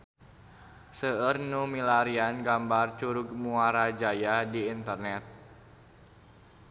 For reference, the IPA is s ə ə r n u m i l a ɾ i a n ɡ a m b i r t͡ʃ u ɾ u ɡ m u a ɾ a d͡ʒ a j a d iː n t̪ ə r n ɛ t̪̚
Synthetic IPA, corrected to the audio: s ə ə r n u m i l a ɾ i a n ɡ a m b a r t͡ʃ u ɾ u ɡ m u a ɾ a d͡ʒ a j a d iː n t̪ ə r n ɛ t̪̚